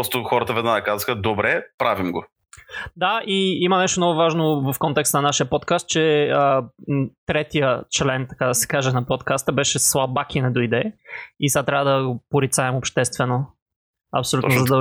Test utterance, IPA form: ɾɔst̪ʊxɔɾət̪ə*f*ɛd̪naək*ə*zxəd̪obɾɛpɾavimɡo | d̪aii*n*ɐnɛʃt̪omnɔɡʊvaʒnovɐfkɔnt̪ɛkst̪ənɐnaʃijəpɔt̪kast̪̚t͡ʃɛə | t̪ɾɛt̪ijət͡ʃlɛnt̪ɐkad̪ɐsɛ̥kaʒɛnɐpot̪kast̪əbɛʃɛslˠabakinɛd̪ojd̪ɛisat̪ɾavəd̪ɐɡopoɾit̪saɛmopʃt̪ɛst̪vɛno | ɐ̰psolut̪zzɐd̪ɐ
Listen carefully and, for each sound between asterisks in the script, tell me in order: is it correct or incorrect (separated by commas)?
incorrect, incorrect, incorrect